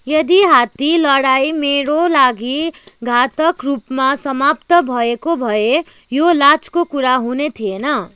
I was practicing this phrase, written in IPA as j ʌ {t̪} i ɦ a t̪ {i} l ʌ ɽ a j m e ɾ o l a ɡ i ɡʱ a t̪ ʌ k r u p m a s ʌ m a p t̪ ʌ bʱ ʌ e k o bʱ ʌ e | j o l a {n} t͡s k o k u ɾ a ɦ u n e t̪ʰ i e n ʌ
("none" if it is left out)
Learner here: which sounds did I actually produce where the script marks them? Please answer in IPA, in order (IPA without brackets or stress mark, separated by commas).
d̪, i, none